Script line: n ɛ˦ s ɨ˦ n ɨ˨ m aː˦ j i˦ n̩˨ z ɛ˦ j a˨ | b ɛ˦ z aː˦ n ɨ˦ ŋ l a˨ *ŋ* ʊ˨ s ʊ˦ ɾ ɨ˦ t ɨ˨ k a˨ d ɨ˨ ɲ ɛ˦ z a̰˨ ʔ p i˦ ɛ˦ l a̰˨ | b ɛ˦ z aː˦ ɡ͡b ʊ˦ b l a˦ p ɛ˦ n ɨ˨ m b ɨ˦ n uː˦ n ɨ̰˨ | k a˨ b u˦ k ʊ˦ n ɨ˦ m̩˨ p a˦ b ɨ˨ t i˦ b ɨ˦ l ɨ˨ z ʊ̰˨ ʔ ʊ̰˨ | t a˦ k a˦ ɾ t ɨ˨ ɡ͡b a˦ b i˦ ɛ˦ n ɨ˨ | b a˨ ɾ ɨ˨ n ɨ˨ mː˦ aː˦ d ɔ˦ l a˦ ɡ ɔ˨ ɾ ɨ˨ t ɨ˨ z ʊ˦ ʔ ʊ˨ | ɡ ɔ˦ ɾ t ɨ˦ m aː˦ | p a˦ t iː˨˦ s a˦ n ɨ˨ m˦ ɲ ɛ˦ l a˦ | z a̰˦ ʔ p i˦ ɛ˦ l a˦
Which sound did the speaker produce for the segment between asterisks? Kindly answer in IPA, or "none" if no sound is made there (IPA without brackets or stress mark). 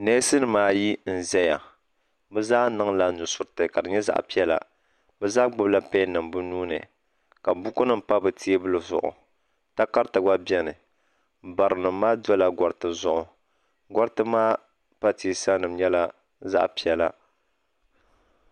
n